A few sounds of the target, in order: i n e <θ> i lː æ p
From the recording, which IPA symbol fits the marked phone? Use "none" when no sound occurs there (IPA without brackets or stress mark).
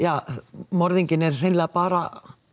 s